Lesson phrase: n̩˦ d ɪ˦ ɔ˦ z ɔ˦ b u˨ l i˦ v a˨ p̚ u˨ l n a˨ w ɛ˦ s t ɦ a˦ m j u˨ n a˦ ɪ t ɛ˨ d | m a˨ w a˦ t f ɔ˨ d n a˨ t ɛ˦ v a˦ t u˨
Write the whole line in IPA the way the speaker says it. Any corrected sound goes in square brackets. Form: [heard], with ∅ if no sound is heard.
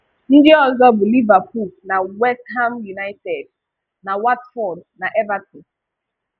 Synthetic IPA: n̩˦ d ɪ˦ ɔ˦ z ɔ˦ b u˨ l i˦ v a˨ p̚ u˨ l n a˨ w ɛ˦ s t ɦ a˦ m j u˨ n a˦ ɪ t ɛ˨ d | [n] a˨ w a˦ t f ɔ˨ d n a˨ [ʔ] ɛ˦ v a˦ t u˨

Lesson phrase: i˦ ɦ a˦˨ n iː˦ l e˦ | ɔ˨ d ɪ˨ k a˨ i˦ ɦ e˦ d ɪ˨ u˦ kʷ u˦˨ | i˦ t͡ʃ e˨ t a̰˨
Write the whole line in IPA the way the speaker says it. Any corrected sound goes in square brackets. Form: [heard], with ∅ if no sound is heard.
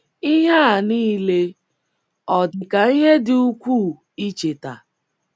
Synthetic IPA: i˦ ɦ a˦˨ n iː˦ l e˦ | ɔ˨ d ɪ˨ k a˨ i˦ ɦ e˦ d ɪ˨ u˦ kʷ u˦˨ | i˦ t͡ʃ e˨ t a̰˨

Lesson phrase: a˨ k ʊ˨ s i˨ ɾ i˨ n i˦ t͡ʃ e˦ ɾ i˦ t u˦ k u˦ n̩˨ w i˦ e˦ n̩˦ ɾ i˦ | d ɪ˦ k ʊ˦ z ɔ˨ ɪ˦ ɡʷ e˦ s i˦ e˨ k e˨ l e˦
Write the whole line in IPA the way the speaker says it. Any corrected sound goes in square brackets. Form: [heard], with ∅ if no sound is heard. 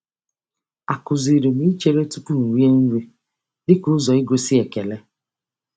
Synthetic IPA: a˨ k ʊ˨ [z] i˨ ɾ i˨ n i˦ t͡ʃ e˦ ɾ [e˦] t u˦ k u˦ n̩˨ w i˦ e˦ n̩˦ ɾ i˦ | d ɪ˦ k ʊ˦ z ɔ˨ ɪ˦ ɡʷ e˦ s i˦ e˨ k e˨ l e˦

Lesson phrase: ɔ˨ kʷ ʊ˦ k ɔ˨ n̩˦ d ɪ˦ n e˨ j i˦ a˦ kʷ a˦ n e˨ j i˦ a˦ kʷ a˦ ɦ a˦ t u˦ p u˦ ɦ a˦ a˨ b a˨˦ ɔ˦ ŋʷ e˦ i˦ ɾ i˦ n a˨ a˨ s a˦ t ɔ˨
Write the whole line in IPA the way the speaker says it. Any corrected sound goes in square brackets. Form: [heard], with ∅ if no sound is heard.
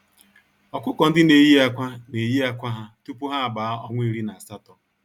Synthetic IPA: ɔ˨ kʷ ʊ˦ k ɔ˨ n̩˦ d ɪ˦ n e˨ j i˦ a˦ kʷ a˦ n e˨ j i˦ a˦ kʷ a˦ ɦ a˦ t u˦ p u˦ ɦ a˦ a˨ b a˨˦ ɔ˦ ŋʷ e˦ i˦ ɾ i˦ n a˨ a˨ s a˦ t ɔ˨

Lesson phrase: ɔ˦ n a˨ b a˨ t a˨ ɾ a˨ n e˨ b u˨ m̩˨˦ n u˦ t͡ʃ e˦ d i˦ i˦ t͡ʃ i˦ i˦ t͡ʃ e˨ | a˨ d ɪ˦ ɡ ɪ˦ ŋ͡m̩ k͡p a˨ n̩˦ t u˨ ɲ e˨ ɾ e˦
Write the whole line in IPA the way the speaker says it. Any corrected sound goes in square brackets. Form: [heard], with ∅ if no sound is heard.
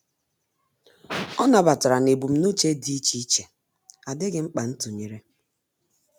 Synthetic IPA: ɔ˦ n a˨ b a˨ t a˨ ɾ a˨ n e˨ b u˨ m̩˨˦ n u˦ t͡ʃ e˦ d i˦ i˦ t͡ʃ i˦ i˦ t͡ʃ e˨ | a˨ d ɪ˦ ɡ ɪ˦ ŋ͡m̩ k͡p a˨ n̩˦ t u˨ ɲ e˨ ɾ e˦

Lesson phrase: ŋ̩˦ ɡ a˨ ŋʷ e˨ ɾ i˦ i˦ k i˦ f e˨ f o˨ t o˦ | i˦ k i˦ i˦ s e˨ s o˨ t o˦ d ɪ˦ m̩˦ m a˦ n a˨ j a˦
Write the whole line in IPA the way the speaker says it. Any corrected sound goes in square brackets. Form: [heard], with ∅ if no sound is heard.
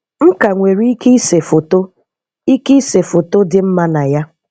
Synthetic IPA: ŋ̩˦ [k] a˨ ŋʷ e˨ ɾ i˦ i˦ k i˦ [s] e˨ f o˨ t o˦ | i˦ k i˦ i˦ s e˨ [f] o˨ t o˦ d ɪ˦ m̩˦ m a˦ n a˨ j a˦

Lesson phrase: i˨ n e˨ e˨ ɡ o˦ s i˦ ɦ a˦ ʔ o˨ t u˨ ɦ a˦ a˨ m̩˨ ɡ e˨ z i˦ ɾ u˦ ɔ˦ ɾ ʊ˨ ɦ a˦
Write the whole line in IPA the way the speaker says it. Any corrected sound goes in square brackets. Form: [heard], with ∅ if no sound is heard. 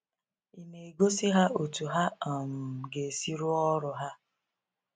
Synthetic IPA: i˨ n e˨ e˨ ɡ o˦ s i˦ ɦ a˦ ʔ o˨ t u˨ ɦ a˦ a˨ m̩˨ ɡ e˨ [s] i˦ ɾ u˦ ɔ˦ ɾ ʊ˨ ɦ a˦

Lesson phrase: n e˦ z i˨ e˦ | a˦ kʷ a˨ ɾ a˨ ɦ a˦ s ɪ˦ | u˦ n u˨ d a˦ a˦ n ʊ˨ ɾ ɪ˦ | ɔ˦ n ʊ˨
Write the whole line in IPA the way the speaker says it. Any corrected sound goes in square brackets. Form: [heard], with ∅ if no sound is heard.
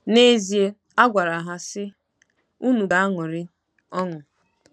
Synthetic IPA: n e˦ z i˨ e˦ | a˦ [ɡʷ] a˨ ɾ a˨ ɦ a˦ s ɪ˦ | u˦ n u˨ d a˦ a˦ [ŋ] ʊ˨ ɾ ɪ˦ | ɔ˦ [ŋ] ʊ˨

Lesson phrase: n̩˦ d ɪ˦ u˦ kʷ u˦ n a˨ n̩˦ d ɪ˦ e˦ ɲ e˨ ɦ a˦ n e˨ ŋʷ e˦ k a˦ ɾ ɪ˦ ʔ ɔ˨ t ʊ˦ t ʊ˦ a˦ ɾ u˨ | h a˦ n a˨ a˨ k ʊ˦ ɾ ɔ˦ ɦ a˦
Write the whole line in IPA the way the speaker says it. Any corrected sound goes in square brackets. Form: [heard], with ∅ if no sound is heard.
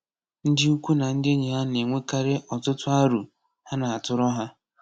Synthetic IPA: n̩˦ d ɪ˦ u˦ kʷ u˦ n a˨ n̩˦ d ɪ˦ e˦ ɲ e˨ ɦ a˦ n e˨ ŋʷ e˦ k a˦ ɾ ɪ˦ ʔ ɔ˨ t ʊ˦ t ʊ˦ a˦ ɾ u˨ | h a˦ n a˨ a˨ [t] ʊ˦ ɾ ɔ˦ ɦ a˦

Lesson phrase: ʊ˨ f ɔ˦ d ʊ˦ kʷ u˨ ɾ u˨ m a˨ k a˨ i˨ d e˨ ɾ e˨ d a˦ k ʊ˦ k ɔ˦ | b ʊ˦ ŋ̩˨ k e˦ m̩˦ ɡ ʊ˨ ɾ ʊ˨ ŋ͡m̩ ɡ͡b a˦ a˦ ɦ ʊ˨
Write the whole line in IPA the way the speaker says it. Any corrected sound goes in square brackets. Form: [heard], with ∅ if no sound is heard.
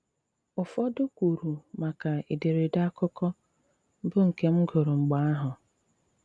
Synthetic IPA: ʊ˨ f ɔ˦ d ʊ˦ kʷ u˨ ɾ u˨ m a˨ k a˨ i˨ d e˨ ɾ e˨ d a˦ k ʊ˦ k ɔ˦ | b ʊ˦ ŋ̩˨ k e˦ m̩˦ ɡ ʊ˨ ɾ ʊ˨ ŋ͡m̩ ɡ͡b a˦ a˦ ɦ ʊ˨

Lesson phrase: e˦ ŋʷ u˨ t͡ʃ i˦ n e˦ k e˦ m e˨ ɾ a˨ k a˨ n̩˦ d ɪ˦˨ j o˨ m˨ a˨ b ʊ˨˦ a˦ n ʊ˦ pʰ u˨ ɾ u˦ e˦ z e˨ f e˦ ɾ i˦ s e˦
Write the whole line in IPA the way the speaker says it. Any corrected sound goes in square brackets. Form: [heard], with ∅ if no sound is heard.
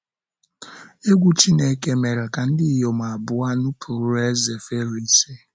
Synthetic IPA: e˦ [ɡʷ] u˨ t͡ʃ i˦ n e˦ k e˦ m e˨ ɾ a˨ k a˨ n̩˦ d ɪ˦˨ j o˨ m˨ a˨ b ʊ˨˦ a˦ n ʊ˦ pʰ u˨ ɾ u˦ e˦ z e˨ f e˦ ɾ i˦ s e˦

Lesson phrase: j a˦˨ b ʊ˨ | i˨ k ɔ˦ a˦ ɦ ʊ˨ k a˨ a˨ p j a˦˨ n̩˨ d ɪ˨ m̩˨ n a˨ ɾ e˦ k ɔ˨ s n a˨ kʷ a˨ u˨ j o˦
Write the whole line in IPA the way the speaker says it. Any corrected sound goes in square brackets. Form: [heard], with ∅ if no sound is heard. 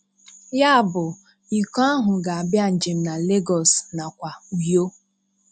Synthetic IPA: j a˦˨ b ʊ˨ | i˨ k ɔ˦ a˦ ɦ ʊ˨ [ɡ] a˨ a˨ [b] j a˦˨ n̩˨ [d͡ʒ] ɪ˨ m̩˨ n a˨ [l] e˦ [ɡ] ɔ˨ s n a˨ kʷ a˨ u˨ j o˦

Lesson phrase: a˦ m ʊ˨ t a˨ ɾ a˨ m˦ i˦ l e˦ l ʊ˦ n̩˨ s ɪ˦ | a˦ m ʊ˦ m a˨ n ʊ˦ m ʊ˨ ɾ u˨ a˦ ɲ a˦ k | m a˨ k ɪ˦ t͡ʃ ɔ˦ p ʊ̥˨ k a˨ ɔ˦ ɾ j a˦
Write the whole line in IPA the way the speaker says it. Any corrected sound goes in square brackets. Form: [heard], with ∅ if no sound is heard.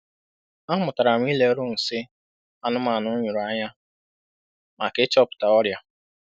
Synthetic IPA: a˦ m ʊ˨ t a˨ ɾ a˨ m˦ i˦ l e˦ [ɾ] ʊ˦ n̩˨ s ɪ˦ | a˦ [n] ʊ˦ m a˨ n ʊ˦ [ɲ] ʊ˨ ɾ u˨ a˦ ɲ a˦ [∅] | m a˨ k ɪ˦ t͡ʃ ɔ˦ p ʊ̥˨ [t] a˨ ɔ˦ ɾ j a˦

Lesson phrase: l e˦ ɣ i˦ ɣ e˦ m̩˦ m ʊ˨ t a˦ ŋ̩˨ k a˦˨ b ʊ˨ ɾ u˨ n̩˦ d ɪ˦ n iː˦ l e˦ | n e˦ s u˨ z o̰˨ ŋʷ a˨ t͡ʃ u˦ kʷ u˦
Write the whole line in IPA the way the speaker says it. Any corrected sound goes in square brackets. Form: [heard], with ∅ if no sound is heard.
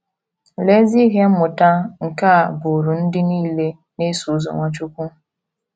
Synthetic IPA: l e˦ [z] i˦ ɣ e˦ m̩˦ m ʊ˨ t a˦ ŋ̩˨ k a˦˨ b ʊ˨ ɾ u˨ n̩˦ d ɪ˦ n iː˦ l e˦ | n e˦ s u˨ z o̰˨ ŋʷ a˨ t͡ʃ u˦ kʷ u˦

